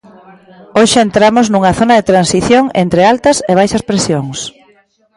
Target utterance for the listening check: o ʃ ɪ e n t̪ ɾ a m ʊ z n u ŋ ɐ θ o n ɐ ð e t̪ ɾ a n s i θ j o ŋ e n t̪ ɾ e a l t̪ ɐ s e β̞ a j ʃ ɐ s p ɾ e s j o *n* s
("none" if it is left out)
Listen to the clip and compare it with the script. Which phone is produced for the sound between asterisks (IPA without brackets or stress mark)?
ŋ